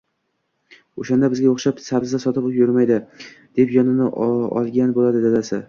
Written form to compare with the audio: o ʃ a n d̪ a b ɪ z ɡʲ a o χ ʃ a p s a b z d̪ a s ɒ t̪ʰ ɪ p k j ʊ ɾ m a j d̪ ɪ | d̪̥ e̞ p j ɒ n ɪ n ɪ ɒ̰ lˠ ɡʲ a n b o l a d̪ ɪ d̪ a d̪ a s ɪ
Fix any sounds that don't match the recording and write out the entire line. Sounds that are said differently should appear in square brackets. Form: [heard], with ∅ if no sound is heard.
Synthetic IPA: o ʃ a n d̪ a b ɪ z ɡʲ a o χ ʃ a p s a b z d̪ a s ɒ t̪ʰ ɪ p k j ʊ ɾ m a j d̪ ɪ | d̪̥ e̞ p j ɒ n ɪ n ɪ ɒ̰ lˠ ɡʲ a n b o l a d̪ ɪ d̪ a d̪ a s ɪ